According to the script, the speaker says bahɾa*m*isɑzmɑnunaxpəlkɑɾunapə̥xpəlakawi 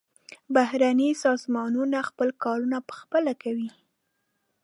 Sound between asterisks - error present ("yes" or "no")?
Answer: yes